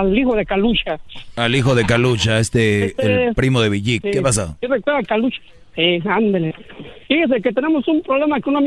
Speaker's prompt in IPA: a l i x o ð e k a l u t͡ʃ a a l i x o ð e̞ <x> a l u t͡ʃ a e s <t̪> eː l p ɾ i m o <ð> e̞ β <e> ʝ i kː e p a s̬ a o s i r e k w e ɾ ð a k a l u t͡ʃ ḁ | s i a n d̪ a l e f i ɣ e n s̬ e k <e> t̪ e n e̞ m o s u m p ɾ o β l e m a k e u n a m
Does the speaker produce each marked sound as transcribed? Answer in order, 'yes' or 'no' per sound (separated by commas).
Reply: no, yes, yes, no, yes